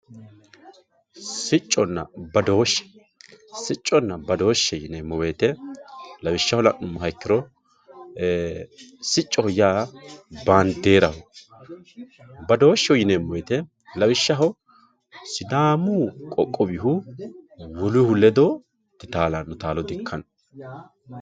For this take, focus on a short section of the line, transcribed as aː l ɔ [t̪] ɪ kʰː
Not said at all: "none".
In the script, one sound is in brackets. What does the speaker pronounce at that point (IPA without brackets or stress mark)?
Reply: d̪